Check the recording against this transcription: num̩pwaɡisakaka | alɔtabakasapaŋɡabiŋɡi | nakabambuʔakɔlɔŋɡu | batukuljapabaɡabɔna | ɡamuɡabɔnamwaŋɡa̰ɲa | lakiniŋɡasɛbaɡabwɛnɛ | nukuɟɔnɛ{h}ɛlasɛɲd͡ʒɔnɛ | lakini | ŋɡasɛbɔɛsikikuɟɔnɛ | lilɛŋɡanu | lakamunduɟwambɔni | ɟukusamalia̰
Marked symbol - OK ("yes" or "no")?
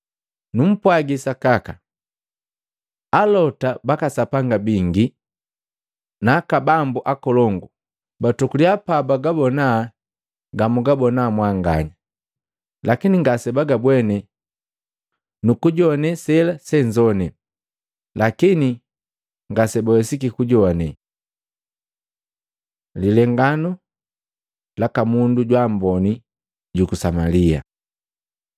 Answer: no